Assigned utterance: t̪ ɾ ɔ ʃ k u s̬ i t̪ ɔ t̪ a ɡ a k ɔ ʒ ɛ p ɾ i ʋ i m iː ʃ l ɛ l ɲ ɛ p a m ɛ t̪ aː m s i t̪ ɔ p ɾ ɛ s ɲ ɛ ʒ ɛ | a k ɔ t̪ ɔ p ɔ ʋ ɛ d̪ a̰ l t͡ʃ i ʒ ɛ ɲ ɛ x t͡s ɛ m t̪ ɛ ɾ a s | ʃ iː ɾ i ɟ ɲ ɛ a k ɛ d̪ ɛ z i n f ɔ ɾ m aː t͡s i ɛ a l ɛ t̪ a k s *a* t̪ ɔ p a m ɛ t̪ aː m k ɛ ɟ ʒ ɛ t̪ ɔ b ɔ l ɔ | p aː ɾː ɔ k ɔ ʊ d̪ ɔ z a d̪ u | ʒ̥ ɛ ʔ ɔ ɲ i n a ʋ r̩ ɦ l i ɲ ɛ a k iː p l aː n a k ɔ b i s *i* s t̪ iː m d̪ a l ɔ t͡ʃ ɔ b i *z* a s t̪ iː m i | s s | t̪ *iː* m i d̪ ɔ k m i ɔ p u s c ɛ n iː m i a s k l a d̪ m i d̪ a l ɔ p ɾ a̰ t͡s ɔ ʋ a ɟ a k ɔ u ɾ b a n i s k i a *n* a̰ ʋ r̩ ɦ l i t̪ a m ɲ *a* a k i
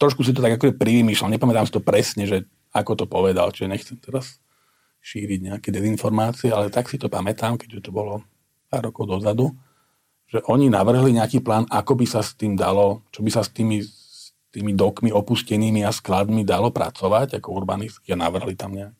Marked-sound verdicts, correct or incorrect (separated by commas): incorrect, incorrect, incorrect, correct, correct, incorrect